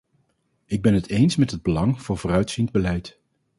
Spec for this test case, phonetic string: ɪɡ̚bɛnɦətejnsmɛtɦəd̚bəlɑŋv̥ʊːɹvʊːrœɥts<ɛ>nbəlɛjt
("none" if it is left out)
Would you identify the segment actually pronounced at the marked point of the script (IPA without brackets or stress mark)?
i